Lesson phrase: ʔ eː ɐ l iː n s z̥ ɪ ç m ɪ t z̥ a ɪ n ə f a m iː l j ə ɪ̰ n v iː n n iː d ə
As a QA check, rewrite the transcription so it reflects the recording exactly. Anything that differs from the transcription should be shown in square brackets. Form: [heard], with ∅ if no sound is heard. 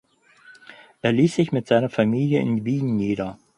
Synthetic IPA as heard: ʔ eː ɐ l iː [∅] s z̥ ɪ ç m ɪ t z̥ a ɪ n [ɐ] f a m iː l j ə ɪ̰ n v iː n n iː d [ɐ]